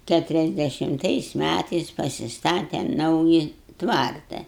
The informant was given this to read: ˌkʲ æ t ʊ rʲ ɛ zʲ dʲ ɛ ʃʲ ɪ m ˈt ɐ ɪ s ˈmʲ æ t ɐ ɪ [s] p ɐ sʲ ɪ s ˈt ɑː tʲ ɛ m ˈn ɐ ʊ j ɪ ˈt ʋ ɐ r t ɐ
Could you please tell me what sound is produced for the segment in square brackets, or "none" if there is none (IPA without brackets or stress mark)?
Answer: s